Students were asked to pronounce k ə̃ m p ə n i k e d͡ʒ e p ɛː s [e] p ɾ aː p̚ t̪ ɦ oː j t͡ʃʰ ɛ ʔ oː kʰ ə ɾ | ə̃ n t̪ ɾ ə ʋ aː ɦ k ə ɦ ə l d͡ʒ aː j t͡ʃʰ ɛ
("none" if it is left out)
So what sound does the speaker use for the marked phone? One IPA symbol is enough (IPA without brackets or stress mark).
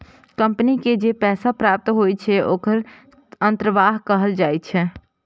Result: a